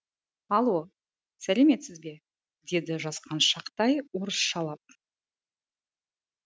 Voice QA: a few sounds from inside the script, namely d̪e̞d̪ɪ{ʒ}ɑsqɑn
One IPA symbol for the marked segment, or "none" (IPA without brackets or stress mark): ʒ